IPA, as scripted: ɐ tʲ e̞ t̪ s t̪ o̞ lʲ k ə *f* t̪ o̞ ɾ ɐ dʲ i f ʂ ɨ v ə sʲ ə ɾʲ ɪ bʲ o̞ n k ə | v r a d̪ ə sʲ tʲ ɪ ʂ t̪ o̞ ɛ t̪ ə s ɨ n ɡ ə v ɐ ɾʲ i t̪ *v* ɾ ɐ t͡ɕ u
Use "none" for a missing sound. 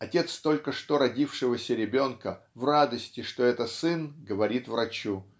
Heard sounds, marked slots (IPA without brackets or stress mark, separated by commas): ʂ, v